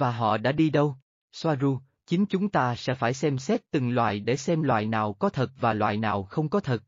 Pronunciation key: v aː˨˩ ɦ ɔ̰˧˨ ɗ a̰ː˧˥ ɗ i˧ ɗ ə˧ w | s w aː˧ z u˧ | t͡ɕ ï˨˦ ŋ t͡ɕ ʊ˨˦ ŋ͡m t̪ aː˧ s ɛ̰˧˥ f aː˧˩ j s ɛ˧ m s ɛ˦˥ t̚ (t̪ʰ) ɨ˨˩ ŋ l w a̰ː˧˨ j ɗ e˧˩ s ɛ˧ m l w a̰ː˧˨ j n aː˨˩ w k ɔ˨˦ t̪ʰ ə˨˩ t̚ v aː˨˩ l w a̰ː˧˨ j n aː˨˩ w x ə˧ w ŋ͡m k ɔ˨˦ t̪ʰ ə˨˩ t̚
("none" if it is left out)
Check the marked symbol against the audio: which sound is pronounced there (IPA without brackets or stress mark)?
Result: t̪